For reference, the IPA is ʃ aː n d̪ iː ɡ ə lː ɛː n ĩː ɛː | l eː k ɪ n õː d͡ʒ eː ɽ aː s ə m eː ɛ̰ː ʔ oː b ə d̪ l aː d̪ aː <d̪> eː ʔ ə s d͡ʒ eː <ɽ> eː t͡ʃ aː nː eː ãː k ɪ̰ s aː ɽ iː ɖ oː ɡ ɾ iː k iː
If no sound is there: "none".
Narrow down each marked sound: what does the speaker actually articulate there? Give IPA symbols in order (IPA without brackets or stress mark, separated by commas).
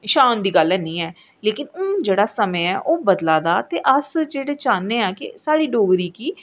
t̪, ɽ